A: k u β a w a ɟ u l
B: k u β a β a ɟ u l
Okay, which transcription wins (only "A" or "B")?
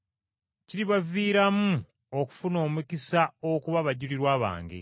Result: B